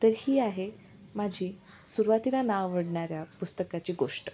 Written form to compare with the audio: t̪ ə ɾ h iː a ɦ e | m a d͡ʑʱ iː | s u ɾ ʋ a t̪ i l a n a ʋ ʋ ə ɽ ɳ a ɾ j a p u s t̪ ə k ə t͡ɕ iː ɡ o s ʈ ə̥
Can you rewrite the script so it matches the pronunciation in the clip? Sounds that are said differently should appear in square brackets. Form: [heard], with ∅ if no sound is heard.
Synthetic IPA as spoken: t̪ ə ɾ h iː a ɦ e | m a d͡ʑʱ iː | s u ɾ ʋ a t̪ i l a n a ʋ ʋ ə ɽ ɳ a ɾ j a p u s t̪ ə k [a] t͡ɕ iː ɡ o [ʂ] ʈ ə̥